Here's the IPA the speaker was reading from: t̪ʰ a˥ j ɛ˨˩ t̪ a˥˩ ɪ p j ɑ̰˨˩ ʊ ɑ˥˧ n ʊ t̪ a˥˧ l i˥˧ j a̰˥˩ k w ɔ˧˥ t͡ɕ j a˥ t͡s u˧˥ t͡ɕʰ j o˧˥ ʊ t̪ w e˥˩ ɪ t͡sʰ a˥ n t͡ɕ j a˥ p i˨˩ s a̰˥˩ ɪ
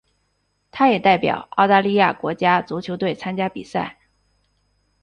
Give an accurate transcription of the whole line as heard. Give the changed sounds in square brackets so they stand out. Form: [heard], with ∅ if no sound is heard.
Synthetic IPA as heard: t̪ʰ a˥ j ɛ˨˩ t̪ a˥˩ ɪ p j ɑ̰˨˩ ʊ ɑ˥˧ [∅] ʊ t̪ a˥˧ l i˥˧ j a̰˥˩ k w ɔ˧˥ t͡ɕ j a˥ t͡s u˧˥ t͡ɕʰ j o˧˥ ʊ t̪ w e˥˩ ɪ t͡sʰ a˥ n t͡ɕ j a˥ p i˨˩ s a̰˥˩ ɪ